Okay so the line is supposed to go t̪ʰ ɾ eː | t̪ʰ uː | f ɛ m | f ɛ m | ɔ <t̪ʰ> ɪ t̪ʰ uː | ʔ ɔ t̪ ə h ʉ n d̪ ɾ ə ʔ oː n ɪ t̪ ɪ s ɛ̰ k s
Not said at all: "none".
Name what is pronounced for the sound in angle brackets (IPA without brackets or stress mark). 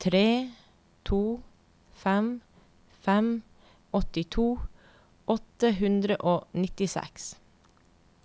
t̪